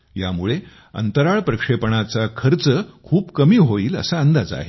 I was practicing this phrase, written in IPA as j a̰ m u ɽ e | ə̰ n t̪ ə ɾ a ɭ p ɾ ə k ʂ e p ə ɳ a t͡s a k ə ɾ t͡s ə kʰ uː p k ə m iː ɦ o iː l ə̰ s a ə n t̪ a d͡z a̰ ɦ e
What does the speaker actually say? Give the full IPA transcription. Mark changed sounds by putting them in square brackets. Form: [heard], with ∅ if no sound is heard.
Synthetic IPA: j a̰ m u [ɭ] e | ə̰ n t̪ ə ɾ a ɭ p ɾ ə k ʂ e p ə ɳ a t͡s a [kʰ] ə ɾ t͡s ə kʰ uː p k ə m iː ɦ o iː l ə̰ s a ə n [d̪] a d͡z a̰ ɦ e